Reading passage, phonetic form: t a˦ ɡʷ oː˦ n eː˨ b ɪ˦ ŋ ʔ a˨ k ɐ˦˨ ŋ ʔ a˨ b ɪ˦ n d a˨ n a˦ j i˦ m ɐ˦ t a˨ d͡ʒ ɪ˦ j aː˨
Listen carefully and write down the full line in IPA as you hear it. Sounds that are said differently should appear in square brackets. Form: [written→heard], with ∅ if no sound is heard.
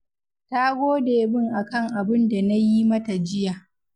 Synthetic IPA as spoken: t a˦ ɡʷ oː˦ [n→d] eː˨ b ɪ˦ ŋ ʔ a˨ k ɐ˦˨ ŋ ʔ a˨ b ɪ˦ n d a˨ n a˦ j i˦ m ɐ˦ t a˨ d͡ʒ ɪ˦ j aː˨